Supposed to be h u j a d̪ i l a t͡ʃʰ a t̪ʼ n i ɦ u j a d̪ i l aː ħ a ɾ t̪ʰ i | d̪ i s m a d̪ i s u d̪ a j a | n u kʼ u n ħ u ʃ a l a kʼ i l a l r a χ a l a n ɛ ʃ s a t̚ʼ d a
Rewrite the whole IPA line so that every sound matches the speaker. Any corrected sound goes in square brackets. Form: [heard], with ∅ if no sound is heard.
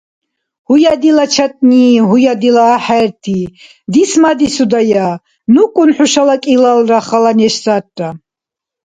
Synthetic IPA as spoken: h u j a d̪ i l a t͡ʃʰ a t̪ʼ n i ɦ u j a d̪ i l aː ħ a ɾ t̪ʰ i | d̪ i s m a d̪ i s u d̪ a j a | n u kʼ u n ħ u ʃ a l a kʼ i l a l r a χ a l a n ɛ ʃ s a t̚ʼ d a

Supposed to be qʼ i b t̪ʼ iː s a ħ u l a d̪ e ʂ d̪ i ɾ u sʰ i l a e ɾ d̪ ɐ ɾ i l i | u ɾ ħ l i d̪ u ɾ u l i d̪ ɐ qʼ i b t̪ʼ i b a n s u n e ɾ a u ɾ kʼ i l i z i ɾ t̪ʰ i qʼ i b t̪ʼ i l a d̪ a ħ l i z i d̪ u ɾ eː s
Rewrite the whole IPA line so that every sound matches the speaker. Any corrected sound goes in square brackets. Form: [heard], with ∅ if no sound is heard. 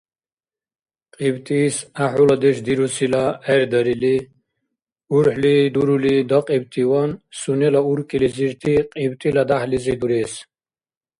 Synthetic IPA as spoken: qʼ i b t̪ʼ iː s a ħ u l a d̪ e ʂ d̪ i ɾ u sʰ i l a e ɾ d̪ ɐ ɾ i l i | u ɾ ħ l i d̪ u ɾ u l i d̪ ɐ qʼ i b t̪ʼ i [w] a n s u n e [l] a u ɾ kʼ i l i z i ɾ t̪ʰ i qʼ i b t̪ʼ i l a d̪ a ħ l i z i d̪ u ɾ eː s

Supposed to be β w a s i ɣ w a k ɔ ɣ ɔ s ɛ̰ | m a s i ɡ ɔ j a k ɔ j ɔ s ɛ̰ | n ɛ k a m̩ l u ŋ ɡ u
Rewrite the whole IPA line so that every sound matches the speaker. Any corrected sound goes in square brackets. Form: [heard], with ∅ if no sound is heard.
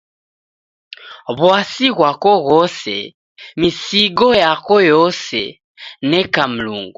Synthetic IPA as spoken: β w a s i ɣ w a k ɔ ɣ ɔ s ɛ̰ | m [i] s i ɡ ɔ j a k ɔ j ɔ s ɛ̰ | n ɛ k a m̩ l u ŋ ɡ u

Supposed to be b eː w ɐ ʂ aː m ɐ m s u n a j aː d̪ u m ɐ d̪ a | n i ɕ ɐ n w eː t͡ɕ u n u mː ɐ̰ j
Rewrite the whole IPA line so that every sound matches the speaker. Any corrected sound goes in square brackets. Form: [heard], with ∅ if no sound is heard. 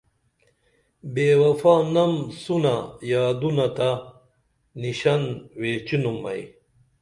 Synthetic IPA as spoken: b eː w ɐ [f] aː [n] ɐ m s u n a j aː d̪ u [n] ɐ [t̪] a | n i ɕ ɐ n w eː t͡ɕ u n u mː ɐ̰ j

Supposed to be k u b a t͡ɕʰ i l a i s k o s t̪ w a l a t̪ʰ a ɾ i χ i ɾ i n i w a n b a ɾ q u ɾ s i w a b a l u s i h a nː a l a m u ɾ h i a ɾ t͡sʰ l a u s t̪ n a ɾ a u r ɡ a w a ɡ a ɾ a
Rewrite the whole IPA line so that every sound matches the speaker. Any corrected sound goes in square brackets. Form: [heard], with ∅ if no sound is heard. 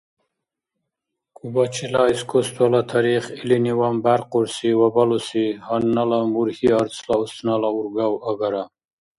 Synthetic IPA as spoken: k u b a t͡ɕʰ i l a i s k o s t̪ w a l a t̪ʰ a ɾ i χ i [l] i n i w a [m] b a ɾ q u ɾ s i w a b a l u s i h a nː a l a m u ɾ h i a ɾ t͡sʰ l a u s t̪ n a [l] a u [ɾ] ɡ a w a ɡ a ɾ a

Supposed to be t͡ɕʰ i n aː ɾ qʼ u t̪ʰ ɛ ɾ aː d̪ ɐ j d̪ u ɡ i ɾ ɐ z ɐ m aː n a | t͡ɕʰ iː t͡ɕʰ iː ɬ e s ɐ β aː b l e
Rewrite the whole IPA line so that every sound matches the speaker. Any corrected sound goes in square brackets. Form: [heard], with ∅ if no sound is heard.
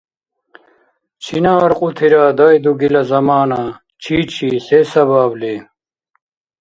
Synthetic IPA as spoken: t͡ɕʰ i n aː ɾ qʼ u t̪ʰ [i] ɾ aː d̪ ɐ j d̪ u ɡ i [l] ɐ z ɐ m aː n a | t͡ɕʰ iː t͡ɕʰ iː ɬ e s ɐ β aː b l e

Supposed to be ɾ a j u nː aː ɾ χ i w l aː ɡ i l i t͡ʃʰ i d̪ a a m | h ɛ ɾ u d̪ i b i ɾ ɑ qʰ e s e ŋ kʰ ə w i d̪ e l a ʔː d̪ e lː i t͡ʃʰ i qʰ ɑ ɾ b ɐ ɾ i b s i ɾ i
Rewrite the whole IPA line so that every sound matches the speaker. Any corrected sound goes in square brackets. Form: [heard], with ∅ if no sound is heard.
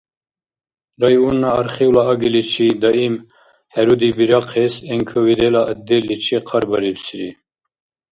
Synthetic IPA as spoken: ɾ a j u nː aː ɾ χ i w l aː ɡ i l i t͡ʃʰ i d̪ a [i] m | h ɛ ɾ u d̪ i b i ɾ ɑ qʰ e s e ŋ kʰ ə w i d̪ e l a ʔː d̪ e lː i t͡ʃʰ i qʰ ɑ ɾ b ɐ ɾ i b s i ɾ i

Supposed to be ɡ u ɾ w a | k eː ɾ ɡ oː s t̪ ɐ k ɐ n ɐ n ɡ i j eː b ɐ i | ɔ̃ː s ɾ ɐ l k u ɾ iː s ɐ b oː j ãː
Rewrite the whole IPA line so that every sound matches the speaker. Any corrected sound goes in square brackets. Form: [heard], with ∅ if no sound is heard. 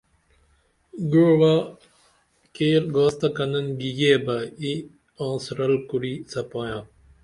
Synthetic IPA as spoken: ɡ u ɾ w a | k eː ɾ ɡ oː s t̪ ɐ k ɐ n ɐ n ɡ i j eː b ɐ i | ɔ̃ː s ɾ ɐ l k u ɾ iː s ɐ [p] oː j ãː

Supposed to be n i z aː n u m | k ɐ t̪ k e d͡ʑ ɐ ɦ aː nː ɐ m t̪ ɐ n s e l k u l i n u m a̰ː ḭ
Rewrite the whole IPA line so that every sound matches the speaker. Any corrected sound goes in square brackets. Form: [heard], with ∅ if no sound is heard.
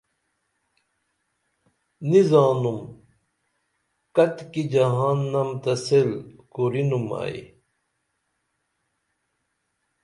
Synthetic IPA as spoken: n i z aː n u m | k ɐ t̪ k [i] d͡ʑ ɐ ɦ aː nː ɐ m t̪ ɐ [∅] s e l k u [ɾ] i n u m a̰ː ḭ

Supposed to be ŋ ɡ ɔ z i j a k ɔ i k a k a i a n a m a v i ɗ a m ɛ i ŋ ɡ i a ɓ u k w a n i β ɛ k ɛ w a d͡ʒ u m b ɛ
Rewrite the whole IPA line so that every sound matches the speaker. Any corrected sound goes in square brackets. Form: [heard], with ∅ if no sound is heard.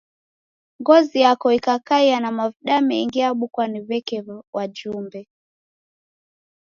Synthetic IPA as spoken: ŋ ɡ ɔ z i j a k ɔ i k a k a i a n a m a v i ɗ a m ɛ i ŋ ɡ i a ɓ u k w a n i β ɛ k ɛ w a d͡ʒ u m b ɛ

